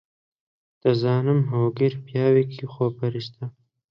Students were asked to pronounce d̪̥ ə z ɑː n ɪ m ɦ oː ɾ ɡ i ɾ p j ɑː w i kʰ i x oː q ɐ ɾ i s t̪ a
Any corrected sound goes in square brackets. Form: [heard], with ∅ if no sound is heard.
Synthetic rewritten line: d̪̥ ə z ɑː n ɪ m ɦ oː [∅] ɡ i ɾ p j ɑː w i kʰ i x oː [p] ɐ ɾ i s t̪ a